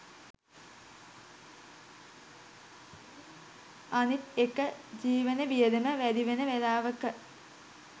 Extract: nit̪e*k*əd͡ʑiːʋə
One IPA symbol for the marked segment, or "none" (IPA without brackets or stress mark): k